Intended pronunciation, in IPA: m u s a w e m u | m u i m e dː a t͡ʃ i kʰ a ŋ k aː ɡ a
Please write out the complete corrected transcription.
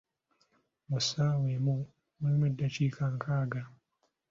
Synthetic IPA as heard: m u s a w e m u | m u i m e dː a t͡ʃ i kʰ a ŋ k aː ɡ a